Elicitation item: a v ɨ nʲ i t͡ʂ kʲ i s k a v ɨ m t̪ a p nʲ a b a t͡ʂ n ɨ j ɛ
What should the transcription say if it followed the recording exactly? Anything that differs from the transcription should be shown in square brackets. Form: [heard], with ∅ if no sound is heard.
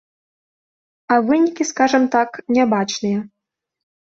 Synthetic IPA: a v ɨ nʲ i [∅] kʲ i s k a [ʐ] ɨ m t̪ a [k] nʲ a b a t͡ʂ n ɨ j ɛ